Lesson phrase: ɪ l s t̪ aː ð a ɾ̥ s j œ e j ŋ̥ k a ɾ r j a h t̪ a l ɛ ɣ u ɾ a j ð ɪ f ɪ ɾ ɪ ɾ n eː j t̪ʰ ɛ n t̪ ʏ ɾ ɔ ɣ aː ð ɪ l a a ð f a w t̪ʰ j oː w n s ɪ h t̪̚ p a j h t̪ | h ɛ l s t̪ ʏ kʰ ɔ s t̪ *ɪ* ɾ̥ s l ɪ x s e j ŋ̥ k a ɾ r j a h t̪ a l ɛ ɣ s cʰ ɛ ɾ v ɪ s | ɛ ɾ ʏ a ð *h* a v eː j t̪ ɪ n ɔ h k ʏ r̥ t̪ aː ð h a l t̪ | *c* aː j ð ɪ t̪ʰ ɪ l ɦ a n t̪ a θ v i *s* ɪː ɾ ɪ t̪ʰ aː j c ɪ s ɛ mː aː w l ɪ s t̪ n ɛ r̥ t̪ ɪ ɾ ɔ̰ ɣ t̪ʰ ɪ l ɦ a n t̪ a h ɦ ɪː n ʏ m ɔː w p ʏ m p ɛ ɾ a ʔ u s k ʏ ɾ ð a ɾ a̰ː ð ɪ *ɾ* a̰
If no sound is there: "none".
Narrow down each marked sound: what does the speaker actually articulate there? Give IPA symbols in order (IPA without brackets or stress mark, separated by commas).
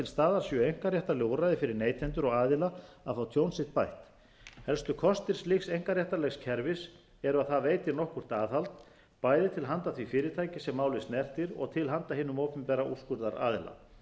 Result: ɪ, θ, p, f, l